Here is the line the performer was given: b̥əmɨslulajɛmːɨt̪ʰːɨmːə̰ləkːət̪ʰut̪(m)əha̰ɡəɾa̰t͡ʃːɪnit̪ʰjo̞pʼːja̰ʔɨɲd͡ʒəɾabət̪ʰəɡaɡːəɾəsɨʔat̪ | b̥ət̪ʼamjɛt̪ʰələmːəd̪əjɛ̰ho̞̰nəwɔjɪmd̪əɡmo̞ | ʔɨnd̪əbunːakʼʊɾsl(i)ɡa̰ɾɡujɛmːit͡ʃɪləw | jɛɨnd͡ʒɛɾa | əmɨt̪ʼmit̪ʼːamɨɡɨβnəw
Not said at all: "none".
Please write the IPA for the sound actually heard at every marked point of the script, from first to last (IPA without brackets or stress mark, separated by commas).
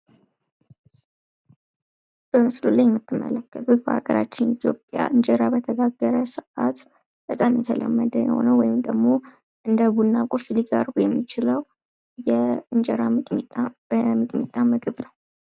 b, i